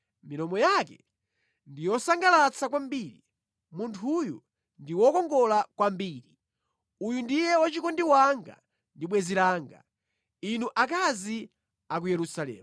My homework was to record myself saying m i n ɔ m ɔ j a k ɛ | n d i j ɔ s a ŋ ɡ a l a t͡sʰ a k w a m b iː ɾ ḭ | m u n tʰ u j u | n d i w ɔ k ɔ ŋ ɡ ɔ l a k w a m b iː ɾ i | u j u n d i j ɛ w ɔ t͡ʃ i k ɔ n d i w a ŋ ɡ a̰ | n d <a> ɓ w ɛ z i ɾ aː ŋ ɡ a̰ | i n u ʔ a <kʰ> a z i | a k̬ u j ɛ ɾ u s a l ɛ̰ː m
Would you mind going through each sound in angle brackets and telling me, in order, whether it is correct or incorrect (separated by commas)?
incorrect, incorrect